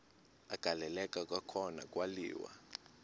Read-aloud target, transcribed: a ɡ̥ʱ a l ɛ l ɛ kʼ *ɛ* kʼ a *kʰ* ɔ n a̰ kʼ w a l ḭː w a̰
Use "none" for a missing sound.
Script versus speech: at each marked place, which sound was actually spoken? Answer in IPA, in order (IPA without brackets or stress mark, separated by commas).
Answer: a, kʰ